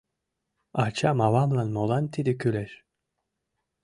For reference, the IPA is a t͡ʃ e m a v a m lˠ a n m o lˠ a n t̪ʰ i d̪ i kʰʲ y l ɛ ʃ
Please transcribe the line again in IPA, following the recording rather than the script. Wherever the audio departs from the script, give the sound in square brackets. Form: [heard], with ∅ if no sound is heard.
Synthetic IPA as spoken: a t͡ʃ [a] m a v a m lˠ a n m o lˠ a n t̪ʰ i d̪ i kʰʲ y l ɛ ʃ